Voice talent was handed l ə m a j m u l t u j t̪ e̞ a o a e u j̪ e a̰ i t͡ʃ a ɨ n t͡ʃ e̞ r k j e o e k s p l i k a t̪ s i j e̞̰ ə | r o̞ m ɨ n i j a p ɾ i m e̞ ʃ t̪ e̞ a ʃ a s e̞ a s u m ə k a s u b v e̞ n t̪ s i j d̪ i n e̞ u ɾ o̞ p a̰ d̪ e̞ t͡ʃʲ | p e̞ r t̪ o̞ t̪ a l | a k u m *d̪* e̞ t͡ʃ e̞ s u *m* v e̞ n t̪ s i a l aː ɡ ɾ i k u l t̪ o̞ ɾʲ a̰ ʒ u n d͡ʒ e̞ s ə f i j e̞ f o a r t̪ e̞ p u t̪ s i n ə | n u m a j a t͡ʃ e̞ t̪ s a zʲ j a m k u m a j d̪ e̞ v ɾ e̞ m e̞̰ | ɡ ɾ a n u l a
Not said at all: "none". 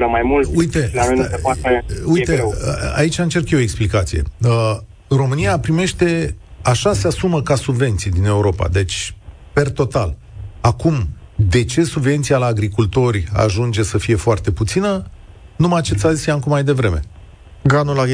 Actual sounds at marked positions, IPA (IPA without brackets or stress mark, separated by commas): d̪, b